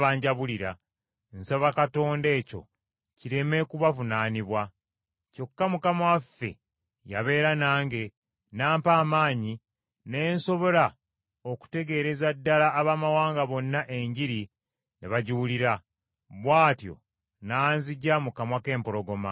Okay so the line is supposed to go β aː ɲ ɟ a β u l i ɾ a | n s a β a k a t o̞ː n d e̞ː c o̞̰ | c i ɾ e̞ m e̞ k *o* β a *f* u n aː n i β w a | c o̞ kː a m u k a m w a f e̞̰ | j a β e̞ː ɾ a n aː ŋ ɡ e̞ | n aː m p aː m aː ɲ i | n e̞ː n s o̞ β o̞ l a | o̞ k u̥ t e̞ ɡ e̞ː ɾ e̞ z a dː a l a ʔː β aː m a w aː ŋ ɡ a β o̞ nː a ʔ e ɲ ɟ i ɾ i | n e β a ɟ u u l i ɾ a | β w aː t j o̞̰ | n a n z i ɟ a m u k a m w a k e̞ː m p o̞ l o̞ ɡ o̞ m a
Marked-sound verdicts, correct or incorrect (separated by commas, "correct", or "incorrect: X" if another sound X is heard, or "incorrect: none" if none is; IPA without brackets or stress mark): incorrect: u, incorrect: v